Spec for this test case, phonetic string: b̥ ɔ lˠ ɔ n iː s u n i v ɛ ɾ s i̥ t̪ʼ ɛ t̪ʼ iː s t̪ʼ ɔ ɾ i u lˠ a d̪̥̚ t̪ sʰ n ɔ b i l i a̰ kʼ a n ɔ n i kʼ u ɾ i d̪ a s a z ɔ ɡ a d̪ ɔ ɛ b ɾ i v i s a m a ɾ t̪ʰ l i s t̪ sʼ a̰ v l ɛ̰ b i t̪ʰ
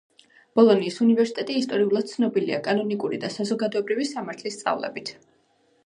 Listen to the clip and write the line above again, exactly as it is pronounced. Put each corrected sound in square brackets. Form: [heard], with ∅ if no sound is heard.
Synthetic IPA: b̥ ɔ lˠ ɔ n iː s u n i v ɛ ɾ s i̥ t̪ʼ ɛ t̪ʼ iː s t̪ʼ ɔ ɾ i u lˠ a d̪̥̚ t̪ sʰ n ɔ b i l i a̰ kʼ a n ɔ n i kʼ u ɾ i d̪ a s a z ɔ ɡ a d̪ ɔ ɛ b ɾ i v i s a m a ɾ t̪ʰ l i s t̪ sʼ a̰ v l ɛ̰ b i t̪ʰ